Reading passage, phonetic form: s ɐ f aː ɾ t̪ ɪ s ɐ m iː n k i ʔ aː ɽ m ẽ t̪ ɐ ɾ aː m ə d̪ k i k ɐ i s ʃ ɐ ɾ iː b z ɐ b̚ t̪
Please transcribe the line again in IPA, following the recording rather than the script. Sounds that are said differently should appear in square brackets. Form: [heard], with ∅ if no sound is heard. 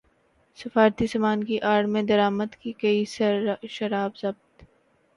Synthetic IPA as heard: s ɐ f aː ɾ t̪ [i] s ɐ m [aː] n k i ʔ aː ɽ m ẽ [d̪] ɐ ɾ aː m ə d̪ k i k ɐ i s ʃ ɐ ɾ [aː] b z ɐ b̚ t̪